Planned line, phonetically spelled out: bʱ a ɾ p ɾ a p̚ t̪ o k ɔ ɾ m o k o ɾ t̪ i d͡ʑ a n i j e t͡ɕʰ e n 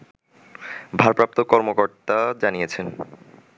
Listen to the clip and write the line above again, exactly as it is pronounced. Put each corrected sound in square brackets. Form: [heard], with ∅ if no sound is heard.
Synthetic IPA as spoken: bʱ a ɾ p ɾ a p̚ t̪ o k ɔ ɾ m o k o ɾ t̪ [a] d͡ʑ a n i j e t͡ɕʰ e n